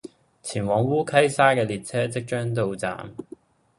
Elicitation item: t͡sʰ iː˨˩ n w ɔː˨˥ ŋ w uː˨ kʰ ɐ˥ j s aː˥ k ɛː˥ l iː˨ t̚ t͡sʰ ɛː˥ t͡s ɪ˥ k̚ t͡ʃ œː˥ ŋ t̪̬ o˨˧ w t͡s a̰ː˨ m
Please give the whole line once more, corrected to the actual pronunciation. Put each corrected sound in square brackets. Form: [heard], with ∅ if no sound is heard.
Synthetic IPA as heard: t͡sʰ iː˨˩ n w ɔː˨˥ ŋ w [uː˥] kʰ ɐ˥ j s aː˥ k [ɛː˧] l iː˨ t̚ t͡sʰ ɛː˥ t͡s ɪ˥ k̚ t͡ʃ œː˥ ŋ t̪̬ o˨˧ w t͡s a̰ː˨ m